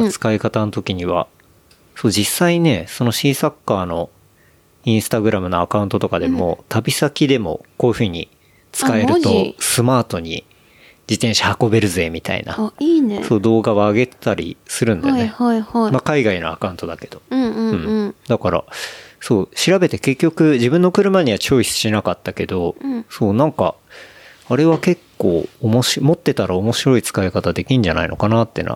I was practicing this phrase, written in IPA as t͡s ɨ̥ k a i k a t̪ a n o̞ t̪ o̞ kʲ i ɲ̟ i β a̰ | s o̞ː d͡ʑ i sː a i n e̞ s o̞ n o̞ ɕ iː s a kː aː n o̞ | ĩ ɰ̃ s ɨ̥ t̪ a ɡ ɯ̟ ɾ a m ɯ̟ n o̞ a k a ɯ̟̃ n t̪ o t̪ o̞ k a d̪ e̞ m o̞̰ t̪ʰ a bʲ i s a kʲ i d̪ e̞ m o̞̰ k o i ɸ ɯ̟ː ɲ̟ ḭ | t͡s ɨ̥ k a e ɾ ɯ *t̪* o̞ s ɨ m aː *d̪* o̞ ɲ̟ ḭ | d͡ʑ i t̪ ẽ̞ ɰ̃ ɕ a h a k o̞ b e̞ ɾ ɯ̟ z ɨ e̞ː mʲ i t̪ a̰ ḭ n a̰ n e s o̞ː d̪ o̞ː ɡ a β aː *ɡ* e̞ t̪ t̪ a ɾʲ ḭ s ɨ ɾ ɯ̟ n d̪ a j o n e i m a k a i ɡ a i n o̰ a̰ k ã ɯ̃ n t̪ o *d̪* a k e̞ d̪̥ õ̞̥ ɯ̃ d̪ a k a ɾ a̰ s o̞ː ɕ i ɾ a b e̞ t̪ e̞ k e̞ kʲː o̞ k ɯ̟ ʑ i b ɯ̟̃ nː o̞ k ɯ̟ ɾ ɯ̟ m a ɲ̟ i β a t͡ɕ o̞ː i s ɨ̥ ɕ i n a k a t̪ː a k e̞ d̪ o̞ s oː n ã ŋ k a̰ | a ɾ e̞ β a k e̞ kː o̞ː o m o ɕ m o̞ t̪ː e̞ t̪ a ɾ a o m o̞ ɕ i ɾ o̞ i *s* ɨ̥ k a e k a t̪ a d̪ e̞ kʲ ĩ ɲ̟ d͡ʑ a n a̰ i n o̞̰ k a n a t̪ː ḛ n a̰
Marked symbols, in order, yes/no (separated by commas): yes, no, yes, yes, no